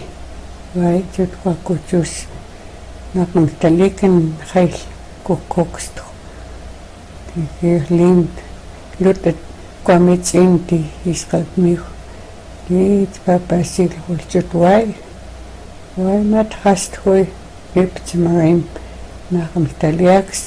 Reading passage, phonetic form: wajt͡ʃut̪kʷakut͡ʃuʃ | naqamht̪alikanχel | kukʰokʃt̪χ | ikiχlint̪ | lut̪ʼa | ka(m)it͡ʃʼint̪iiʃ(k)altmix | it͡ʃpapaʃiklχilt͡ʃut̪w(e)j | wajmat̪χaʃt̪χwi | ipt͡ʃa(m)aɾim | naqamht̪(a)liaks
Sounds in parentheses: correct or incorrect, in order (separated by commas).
correct, incorrect, incorrect, correct, correct